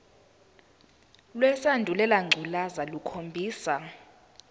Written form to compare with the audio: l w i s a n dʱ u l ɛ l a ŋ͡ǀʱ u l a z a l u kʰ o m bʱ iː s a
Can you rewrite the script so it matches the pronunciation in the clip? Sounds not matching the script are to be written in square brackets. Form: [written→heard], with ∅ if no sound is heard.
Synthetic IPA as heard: l w [i→ɛ] s a n dʱ u l ɛ l a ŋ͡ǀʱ u l a z a l u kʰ o m bʱ iː s a

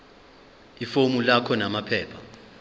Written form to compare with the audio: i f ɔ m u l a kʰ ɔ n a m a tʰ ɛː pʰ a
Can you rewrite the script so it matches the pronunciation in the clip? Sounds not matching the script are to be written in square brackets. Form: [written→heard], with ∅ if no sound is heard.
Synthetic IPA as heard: i f [ɔ→o] m u l a kʰ ɔ n a m a [tʰ→pʰ] ɛː pʰ a

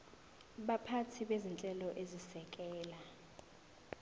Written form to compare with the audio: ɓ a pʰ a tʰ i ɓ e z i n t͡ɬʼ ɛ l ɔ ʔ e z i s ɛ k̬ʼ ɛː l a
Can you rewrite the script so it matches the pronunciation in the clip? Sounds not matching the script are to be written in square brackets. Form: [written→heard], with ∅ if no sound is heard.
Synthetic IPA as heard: ɓ a pʰ a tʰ i ɓ e z i n t͡ɬʼ ɛ l ɔ ʔ e z i s ɛ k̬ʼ ɛː l a

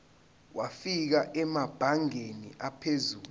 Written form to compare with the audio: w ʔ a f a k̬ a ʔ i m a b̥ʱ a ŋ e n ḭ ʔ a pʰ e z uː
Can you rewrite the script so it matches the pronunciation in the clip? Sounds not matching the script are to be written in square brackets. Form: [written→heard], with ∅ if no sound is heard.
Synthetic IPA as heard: w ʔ a f [a→i] k̬ a ʔ [i→ɛ] m a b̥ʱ a ŋ e n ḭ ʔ a pʰ e z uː

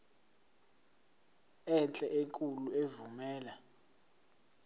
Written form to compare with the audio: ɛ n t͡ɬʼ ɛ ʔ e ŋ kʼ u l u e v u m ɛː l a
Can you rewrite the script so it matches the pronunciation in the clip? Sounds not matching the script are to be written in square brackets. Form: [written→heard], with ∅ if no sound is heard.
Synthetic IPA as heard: ɛ n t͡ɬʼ ɛ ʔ e ŋ kʼ u l u e v u m ɛː l a

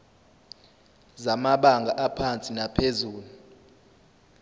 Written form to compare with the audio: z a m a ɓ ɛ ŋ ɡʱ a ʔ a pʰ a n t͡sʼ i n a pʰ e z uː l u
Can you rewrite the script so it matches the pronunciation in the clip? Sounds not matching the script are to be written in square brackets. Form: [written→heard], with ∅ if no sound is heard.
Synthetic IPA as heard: z a m a ɓ [ɛ→a] ŋ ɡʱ a ʔ a pʰ a n t͡sʼ i n a pʰ e z uː l u

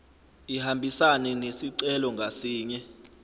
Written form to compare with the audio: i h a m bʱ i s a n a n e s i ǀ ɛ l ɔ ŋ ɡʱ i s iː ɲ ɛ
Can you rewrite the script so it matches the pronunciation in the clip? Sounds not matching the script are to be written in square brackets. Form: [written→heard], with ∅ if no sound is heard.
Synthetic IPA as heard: i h a m bʱ i s a n [a→ɛ] n e s i ǀ ɛ l ɔ ŋ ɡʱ [i→a] s iː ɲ ɛ

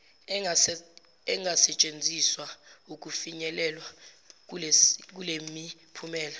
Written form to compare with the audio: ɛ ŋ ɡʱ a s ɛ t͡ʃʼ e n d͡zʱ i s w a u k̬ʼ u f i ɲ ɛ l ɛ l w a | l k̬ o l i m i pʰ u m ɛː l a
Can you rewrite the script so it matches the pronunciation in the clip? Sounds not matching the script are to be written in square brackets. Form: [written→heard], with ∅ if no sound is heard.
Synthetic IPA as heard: ɛ ŋ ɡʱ a s ɛ t͡ʃʼ e n d͡zʱ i s w a u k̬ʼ u f i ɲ ɛ l ɛ l w a | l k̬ [o→u] l [i→e] m i pʰ u m ɛː l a

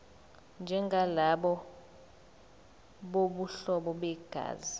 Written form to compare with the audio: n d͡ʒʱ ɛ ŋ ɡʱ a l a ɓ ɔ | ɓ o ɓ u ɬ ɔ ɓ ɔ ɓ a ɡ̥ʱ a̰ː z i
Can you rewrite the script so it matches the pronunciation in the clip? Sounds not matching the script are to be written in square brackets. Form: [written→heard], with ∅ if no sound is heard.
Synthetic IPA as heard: n d͡ʒʱ ɛ ŋ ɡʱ a l a ɓ ɔ | ɓ o ɓ u ɬ ɔ ɓ ɔ ɓ [a→ɛ] ɡ̥ʱ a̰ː z i

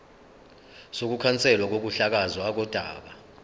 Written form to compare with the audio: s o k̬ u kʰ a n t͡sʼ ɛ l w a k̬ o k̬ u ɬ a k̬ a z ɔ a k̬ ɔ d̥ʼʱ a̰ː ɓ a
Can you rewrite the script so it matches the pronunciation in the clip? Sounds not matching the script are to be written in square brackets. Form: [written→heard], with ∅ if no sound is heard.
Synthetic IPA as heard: s o k̬ u kʰ a n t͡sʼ ɛ l w a k̬ o k̬ u ɬ a k̬ a z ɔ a k̬ ɔ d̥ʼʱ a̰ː ɓ a

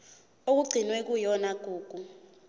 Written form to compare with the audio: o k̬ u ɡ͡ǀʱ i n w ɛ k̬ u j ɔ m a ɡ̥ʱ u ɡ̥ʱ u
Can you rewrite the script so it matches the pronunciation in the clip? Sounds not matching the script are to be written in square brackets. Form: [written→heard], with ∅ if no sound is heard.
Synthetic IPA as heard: o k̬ u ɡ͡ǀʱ i n w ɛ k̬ u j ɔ [m→n] a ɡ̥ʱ [u→uː] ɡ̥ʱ u

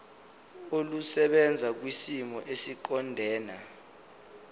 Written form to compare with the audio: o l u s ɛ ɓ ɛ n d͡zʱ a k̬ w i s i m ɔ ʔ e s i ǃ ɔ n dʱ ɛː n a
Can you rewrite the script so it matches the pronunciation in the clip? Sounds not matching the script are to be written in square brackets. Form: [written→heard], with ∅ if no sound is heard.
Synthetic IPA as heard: o l u s ɛ ɓ ɛ n d͡zʱ a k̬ w i s i m ɔ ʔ e s i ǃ ɔ n dʱ ɛː n a

